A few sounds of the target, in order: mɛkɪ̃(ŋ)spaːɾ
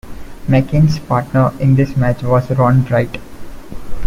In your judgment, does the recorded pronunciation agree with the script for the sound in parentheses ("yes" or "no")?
no